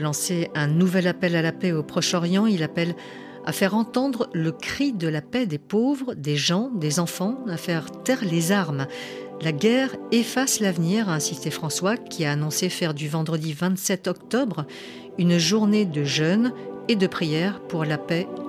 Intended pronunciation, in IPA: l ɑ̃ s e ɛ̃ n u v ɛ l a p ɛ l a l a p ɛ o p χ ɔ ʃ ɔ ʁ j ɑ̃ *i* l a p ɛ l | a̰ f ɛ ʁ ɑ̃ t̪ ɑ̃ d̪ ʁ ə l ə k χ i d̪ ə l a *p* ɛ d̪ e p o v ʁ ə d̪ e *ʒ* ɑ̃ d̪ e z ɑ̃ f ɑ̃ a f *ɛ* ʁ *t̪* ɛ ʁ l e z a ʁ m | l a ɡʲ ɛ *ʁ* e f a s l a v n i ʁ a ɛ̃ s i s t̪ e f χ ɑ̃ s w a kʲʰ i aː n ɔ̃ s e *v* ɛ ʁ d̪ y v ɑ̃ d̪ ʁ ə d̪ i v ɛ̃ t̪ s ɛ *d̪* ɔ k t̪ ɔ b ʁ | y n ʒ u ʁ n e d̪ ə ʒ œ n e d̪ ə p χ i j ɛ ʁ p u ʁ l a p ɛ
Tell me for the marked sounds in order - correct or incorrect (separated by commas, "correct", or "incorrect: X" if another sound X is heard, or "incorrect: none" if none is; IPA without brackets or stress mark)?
correct, correct, correct, correct, correct, correct, incorrect: f, incorrect: t̪